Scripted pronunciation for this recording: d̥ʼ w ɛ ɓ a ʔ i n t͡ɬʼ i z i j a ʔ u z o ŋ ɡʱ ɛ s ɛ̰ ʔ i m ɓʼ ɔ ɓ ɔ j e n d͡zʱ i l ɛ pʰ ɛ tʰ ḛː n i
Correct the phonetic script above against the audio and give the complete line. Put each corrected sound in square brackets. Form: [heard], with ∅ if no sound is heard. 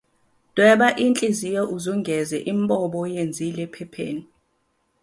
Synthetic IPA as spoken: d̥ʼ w ɛ ɓ a ʔ i n t͡ɬʼ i z i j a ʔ u z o ŋ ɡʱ ɛ [z] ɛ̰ ʔ i m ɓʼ ɔ ɓ ɔ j e n d͡zʱ i l ɛ pʰ ɛ [pʰ] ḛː n i